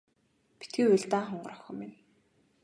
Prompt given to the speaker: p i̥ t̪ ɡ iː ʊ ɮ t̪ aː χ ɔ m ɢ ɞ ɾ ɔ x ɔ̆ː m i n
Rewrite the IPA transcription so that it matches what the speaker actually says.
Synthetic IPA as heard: p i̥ t̪ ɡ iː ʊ ɮ t̪ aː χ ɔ ɴ ɢ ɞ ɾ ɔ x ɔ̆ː m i n